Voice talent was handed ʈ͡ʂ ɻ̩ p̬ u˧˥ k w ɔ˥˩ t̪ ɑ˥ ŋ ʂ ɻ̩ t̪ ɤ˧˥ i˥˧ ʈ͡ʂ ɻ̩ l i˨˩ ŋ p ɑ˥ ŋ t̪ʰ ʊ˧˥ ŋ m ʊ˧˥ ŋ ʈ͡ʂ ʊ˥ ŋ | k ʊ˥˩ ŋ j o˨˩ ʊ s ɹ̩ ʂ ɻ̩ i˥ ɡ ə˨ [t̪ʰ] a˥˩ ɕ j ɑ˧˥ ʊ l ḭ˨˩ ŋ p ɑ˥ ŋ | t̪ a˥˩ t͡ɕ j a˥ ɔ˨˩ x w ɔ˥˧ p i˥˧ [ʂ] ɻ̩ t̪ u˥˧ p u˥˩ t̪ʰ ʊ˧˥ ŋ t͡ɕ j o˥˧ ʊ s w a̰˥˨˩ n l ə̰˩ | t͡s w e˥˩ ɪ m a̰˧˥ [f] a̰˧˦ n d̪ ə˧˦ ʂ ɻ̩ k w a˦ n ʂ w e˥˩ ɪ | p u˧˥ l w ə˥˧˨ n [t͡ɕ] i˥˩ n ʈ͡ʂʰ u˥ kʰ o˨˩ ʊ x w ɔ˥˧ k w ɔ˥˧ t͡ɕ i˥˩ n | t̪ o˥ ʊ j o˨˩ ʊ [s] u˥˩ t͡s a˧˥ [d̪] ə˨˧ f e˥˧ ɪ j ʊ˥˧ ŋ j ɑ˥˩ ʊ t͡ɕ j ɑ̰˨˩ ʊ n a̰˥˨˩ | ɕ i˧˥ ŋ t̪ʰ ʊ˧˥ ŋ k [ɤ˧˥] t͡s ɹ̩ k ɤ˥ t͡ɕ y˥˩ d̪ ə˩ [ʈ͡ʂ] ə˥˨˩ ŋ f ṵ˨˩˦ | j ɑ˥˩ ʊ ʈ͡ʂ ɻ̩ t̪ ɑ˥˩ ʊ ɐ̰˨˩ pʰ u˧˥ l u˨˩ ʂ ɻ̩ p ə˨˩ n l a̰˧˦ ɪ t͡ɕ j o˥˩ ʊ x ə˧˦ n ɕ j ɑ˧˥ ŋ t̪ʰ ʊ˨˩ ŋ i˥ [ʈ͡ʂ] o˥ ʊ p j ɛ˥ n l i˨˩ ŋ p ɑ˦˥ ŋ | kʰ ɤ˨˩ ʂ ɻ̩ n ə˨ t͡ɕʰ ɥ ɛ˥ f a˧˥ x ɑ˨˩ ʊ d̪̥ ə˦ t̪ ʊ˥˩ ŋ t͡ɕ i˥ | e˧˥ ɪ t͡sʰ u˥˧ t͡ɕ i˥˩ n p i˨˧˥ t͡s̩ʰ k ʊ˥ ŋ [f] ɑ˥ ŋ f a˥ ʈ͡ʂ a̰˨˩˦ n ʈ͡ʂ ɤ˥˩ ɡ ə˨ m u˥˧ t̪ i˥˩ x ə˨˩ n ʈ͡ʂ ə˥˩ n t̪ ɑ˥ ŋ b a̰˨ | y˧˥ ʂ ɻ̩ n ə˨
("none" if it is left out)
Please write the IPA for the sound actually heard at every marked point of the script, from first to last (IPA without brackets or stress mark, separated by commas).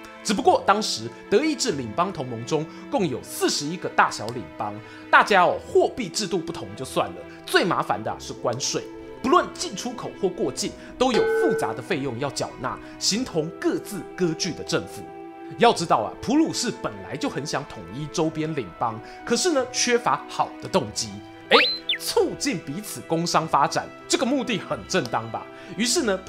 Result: t̪, ʈ͡ʂ, f, t͡ɕ, f, d̪, ɤ˥˧, ʈ͡ʂ, ʈ͡ʂ, ʂ